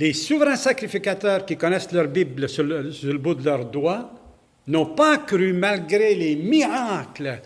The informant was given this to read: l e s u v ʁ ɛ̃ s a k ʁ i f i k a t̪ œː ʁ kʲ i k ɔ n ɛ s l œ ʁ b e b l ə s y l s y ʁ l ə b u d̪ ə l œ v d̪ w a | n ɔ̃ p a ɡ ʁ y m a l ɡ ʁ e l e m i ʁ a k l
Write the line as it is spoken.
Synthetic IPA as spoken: l e s u v ʁ ɛ̃ s a k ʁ i f i k a t̪ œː ʁ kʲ i k ɔ n ɛ s l œ ʁ b i b l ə s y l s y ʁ l ə b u d̪ ə l œ ʁ d̪ w a | n ɔ̃ p a k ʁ y m a l ɡ ʁ e l e m i ʁ a k l